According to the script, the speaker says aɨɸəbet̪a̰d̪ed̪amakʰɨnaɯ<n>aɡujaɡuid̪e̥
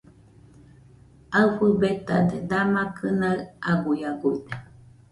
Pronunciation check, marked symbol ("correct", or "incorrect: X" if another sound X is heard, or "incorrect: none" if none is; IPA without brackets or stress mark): incorrect: none